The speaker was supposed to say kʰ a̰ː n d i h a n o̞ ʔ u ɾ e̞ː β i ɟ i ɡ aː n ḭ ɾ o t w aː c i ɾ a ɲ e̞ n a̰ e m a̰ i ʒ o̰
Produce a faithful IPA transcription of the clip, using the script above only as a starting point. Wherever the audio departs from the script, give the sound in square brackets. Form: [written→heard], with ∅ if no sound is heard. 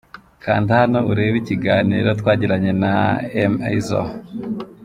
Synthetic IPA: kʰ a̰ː n d i h a n o̞ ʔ u ɾ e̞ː β i [ɟ→c] i ɡ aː n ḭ ɾ o t w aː [c→ɟ] i ɾ a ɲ e̞ n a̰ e m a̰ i [ʒ→z] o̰